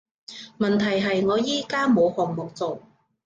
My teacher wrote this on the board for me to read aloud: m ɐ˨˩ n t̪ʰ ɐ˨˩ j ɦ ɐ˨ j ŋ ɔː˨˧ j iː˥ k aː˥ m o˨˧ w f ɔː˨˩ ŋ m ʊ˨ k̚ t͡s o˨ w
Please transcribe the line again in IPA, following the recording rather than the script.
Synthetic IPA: m ɐ˨˩ n t̪ʰ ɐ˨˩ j ɦ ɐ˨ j ŋ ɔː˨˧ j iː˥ k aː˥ m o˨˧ w h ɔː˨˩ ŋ m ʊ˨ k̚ t͡s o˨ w

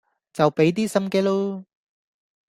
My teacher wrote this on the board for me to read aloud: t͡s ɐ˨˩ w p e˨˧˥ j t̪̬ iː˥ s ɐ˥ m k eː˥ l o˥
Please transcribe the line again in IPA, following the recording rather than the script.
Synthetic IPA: t͡s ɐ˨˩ w p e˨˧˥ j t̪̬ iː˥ s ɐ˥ m k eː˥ l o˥

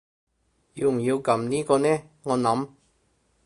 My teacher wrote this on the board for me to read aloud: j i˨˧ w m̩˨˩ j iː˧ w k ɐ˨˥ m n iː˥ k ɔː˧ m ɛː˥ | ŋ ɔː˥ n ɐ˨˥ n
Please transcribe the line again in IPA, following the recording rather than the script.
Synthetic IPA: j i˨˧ w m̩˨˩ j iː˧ w k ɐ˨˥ m n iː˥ k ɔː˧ n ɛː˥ | ŋ ɔː˨˧ n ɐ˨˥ m

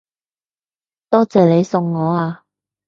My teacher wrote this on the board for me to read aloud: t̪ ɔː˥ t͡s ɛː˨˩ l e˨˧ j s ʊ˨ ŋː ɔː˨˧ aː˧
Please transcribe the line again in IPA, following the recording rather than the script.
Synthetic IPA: t̪ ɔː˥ t͡s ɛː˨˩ l e˨˧ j s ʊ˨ ŋː ɔː˨˧ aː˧

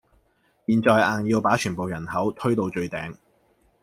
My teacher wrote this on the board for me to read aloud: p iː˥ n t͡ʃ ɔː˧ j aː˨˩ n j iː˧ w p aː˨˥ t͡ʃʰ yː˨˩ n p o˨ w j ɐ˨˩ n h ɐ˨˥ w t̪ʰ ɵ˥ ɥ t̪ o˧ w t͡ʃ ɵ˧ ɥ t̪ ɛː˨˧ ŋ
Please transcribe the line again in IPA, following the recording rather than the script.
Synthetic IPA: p iː˨ n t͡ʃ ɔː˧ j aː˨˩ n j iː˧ w p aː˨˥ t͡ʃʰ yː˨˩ n p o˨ w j ɐ˨˩ n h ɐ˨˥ w t̪ʰ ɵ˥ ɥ t̪ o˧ w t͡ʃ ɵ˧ ɥ t̪ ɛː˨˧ ŋ

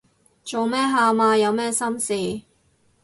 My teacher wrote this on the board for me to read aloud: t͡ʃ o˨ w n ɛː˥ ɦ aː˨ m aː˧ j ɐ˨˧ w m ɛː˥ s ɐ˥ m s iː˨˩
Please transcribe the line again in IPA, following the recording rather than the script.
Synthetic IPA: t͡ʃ o˨ w m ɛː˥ ɦ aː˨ m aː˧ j ɐ˨˧ w m ɛː˥ s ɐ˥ m s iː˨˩

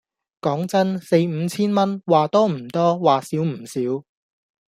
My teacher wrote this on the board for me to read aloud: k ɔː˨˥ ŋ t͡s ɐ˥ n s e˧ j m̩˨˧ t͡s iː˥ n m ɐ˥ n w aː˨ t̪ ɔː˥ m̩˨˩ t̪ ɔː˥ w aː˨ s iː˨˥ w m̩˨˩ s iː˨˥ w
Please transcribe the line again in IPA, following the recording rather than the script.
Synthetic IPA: k ɔː˨˥ ŋ t͡s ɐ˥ n s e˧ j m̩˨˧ t͡sʰ iː˥ n m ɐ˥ n w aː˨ t̪ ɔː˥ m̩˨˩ t̪ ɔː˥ w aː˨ s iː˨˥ w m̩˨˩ s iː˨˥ w

